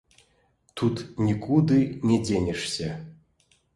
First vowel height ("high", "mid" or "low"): high